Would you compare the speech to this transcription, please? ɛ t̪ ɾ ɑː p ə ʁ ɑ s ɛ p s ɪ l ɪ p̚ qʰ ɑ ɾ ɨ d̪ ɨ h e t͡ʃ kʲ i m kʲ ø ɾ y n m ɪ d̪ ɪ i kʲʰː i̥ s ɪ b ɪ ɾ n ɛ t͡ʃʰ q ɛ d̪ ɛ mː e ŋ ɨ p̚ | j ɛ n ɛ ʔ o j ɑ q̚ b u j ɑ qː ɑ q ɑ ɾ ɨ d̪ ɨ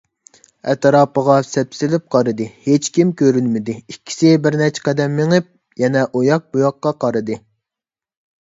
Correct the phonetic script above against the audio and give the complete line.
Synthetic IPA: ɛ t̪ ɾ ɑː p ə ʁ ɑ s ɛ p s ɪ l ɪ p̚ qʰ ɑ ɾ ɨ d̪ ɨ h e t͡ʃ kʲ i m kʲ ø ɾ y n m ɪ d̪ ɪ i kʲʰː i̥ s ɪ b ɪ ɾ n ɛ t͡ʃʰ q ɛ d̪ ɛ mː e ŋ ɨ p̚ | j ɛ n ɛ ʔ o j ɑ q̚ b u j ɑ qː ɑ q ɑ ɾ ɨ d̪ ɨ